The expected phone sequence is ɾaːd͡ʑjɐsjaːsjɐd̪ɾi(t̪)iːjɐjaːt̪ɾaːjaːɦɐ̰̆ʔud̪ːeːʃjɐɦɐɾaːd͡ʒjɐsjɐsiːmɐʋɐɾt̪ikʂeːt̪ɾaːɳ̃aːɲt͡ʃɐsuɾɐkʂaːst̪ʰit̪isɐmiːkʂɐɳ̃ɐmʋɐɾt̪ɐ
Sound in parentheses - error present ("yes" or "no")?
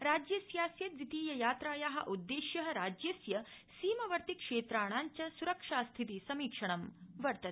no